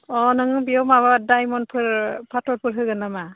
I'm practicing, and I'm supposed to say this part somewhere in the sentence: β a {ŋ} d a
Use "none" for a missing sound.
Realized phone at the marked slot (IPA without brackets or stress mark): none